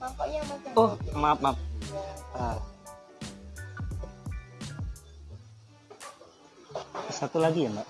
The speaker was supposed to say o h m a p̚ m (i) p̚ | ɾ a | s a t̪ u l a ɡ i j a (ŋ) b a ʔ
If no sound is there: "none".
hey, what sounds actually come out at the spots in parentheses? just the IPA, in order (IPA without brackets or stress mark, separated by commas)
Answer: a, m